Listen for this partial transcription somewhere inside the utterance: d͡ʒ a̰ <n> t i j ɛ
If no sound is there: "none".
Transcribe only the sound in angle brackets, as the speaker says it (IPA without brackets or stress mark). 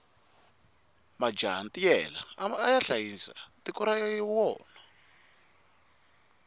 n